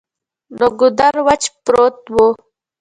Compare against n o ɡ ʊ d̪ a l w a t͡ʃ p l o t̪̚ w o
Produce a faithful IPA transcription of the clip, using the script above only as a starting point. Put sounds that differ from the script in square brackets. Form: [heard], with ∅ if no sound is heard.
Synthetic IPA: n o ɡ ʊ d̪ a [ɾ] w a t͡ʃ p [ɾ] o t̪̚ w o